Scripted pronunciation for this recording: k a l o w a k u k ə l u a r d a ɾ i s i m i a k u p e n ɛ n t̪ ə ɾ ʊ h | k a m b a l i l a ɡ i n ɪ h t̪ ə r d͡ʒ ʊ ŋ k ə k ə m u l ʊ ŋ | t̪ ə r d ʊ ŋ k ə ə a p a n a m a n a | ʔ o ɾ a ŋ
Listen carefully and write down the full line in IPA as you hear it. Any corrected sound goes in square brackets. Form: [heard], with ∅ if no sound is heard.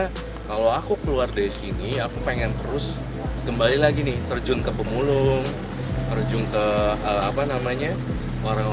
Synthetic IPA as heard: k a l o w a k u k ə l u a r d a ɾ i s i [n] i a k u p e [ŋ] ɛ n t̪ ə ɾ ʊ [s] | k [ə] m b a l i l a ɡ i n ɪ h t̪ ə r d͡ʒ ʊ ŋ k ə [p] ə m u l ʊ ŋ | t̪ ə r [d͡ʒ] ʊ ŋ k ə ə a p a n a m a [ɲ] a | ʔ o ɾ a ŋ